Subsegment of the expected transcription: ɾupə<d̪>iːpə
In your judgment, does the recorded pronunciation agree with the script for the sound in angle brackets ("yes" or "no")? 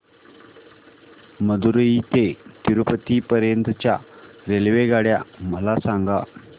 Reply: no